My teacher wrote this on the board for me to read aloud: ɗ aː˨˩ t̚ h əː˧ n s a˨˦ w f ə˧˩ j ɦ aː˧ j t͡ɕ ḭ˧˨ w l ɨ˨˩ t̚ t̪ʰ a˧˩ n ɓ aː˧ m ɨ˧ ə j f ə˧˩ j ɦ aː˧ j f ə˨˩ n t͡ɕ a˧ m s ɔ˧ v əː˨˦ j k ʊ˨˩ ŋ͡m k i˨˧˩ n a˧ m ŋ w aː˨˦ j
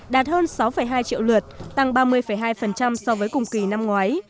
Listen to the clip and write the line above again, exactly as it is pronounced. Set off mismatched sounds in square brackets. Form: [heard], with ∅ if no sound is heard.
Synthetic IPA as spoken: ɗ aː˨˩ t̚ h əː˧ n s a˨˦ w f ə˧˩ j ɦ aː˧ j t͡ɕ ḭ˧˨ w l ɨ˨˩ t̚ [t̪] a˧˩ [ŋ] ɓ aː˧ m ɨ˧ ə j f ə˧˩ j ɦ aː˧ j f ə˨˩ n t͡ɕ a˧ m s ɔ˧ v əː˨˦ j k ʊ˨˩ ŋ͡m k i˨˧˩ n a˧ m ŋ w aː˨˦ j

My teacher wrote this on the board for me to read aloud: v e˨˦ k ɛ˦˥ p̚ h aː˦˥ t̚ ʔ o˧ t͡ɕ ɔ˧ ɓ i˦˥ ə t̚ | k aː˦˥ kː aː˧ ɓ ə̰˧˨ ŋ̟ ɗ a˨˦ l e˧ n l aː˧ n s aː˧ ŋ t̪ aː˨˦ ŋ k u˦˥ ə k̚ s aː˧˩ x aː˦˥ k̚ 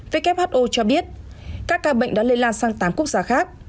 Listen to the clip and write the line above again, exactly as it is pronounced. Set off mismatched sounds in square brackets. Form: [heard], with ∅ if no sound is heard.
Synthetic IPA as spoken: v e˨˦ k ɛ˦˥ p̚ h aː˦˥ t̚ ʔ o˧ t͡ɕ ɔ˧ ɓ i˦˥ ə t̚ | k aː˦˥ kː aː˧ ɓ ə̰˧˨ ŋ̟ ɗ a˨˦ l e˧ n l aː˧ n s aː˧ ŋ t̪ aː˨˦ [m] k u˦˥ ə k̚ [z] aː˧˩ x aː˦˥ k̚

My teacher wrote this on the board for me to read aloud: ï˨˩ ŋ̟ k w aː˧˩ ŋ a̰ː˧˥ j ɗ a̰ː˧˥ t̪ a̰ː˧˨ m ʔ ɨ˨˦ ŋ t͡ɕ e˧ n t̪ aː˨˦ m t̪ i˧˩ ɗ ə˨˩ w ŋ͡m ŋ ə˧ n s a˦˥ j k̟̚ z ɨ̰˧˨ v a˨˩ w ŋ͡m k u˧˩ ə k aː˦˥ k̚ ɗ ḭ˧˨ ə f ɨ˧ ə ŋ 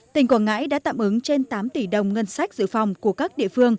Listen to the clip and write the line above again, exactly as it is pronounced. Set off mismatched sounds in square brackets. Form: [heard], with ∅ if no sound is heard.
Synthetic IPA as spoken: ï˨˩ ŋ̟ k w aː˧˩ ŋ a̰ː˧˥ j ɗ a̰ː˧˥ t̪ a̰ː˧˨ m ʔ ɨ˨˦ ŋ t͡ɕ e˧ n t̪ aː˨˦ m t̪ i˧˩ ɗ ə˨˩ w ŋ͡m ŋ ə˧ n s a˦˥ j k̟̚ z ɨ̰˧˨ [f] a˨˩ w ŋ͡m k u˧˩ ə k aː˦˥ k̚ ɗ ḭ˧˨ ə f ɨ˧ ə ŋ

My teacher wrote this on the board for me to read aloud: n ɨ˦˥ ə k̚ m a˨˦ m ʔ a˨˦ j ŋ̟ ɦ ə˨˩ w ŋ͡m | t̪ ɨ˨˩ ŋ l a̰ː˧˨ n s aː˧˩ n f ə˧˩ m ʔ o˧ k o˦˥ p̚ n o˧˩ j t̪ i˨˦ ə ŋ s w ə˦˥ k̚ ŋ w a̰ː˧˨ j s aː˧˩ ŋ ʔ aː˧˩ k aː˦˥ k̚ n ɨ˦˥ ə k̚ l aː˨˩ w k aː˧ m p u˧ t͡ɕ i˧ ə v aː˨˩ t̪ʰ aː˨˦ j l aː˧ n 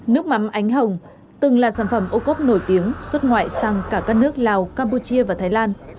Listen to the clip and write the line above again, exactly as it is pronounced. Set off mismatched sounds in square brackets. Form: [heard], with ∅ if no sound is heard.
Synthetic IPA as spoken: n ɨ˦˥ ə k̚ m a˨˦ m ʔ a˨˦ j ŋ̟ ɦ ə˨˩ w ŋ͡m | t̪ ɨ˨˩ ŋ l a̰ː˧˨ n s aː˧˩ n f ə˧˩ m ʔ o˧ k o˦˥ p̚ n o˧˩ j t̪ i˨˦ ə ŋ s w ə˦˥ [t̚] ŋ w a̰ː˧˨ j s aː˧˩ ŋ [k] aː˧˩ k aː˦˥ k̚ n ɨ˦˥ ə k̚ l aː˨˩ w k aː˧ m p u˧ t͡ɕ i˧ ə v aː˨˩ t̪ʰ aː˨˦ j l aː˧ n

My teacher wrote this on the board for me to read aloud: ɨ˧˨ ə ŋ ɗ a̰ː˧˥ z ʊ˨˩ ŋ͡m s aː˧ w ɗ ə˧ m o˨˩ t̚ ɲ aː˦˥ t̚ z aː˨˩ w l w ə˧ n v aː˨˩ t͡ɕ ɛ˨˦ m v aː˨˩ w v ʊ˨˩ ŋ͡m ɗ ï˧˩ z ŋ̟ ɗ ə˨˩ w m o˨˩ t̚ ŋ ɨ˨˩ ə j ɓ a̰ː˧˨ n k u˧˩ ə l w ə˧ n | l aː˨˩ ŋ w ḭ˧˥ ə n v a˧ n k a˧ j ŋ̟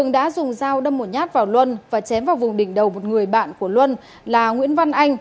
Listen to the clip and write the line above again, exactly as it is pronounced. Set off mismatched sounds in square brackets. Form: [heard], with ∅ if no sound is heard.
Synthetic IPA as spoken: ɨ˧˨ ə ŋ ɗ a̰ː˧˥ z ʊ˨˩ ŋ͡m [z] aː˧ w ɗ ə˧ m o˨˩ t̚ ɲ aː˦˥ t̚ [v] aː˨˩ w l w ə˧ n v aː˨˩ t͡ɕ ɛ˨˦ m v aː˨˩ w v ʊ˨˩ ŋ͡m ɗ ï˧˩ [∅] ŋ̟ ɗ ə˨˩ w m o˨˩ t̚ ŋ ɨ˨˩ ə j ɓ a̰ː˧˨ n k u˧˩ ə l w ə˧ n | l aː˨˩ ŋ w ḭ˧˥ ə n v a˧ n [ʔ] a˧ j ŋ̟

